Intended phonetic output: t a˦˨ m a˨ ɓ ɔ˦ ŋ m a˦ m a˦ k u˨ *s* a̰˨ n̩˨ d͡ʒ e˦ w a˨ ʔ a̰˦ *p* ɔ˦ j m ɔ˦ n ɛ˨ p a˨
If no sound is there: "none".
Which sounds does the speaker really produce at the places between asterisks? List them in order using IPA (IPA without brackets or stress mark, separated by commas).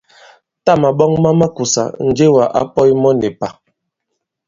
s, p